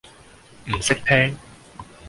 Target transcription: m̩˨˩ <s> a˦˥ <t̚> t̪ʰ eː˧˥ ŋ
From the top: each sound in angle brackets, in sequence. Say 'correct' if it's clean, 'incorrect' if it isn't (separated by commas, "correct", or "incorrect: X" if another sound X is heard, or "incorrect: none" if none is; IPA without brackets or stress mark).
correct, incorrect: k̚